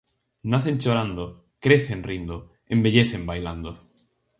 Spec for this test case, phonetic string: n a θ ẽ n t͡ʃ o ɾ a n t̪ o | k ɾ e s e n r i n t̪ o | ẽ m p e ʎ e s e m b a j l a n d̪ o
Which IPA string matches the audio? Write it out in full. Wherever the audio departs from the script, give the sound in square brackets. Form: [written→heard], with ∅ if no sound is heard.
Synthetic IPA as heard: n a θ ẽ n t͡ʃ o ɾ a n [t̪→d̪] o | k ɾ e [s→θ] e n r i n [t̪→d̪] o | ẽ m [p→b] e ʎ e [s→θ] e m b a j l a n d̪ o